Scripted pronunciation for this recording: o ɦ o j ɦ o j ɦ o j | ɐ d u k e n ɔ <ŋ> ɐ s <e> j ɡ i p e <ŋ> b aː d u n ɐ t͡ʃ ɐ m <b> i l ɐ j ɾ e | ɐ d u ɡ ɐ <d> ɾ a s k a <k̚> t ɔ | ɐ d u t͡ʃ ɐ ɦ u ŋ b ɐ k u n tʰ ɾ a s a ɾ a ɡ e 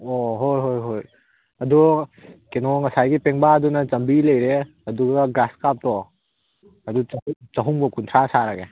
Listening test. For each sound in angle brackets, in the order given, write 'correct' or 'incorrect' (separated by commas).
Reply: correct, incorrect, correct, correct, incorrect, incorrect